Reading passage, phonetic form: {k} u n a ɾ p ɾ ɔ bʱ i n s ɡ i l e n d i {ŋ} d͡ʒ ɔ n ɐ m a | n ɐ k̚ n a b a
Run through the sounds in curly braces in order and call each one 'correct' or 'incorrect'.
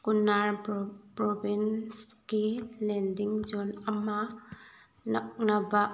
correct, correct

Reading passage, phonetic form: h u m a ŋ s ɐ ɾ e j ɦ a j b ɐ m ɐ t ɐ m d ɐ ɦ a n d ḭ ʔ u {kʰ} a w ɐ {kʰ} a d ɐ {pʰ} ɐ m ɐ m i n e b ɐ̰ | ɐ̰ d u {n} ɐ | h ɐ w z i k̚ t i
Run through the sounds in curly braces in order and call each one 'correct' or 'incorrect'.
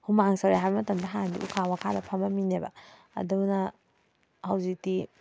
correct, correct, correct, correct

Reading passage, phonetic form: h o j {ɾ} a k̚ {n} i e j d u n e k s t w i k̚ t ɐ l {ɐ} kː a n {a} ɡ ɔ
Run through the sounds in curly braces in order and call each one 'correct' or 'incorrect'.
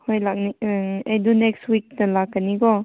incorrect, correct, incorrect, incorrect

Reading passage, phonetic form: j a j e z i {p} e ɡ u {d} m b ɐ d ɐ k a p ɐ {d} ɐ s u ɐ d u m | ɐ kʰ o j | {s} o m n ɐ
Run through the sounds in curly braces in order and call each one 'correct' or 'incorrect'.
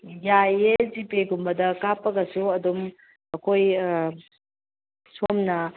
correct, incorrect, incorrect, correct

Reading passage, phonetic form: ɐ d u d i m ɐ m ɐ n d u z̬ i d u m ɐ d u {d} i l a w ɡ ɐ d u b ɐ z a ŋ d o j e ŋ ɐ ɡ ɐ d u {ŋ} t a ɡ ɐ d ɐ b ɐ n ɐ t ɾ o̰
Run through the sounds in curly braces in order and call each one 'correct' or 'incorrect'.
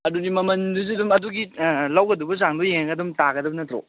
incorrect, incorrect

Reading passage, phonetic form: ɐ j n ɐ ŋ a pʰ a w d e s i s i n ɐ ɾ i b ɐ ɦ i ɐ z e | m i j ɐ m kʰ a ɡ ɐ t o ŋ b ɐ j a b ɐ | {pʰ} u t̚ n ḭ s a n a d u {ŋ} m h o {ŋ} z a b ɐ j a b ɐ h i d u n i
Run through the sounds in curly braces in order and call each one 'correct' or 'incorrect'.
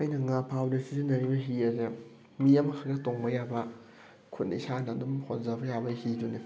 incorrect, incorrect, incorrect

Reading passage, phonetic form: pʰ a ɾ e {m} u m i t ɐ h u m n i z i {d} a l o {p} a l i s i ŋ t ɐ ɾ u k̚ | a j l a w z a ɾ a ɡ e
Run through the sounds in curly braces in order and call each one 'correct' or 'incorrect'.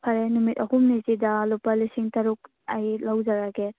incorrect, correct, correct

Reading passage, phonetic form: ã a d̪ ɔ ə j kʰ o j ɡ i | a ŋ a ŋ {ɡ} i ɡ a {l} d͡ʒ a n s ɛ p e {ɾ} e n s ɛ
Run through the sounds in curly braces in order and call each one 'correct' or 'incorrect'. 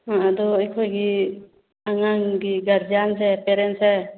correct, incorrect, correct

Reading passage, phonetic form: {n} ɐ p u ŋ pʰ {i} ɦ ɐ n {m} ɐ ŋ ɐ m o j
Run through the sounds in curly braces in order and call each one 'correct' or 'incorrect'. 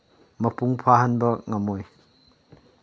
incorrect, incorrect, incorrect

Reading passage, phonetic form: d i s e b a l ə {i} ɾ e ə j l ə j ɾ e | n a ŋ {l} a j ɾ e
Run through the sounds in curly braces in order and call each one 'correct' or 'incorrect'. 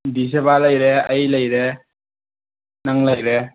incorrect, correct

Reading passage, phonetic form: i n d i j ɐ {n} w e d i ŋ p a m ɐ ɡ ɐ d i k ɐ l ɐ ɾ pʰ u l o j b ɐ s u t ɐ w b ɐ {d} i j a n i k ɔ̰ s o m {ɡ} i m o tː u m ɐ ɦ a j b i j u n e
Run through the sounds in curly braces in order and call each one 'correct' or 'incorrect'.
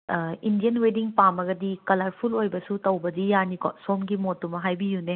correct, correct, correct

